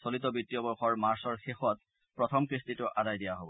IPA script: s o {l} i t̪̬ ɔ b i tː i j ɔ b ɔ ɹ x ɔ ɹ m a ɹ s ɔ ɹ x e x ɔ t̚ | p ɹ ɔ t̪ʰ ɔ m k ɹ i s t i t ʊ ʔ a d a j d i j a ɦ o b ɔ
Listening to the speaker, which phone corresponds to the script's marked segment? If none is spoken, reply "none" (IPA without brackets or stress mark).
l